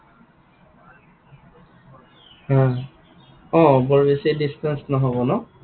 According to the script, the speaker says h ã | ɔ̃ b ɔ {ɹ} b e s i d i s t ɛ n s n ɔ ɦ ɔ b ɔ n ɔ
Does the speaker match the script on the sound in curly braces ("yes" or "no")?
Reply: yes